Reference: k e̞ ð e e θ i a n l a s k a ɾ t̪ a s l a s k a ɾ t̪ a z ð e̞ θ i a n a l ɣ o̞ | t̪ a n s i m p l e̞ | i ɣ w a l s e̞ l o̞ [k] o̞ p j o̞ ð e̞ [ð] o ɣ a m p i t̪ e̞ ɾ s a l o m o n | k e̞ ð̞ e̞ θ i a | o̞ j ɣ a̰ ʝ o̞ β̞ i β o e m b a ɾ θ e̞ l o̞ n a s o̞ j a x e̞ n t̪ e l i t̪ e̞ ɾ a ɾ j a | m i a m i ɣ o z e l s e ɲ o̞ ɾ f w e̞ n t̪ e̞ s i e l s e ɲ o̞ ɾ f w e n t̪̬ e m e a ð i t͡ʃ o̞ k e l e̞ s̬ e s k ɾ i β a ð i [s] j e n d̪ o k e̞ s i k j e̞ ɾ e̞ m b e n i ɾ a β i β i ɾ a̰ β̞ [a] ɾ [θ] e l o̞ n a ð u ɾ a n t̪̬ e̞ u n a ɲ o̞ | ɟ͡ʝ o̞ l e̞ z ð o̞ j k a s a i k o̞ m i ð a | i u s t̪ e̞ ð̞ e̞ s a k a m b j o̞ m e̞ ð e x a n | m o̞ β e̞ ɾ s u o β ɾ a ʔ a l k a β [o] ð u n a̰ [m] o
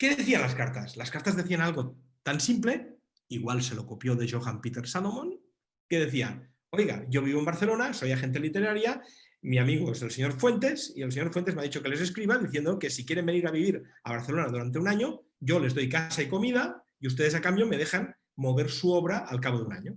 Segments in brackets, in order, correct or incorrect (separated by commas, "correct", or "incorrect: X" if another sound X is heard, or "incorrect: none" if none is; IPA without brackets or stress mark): correct, incorrect: ʒ, incorrect: θ, correct, correct, correct, incorrect: ɲ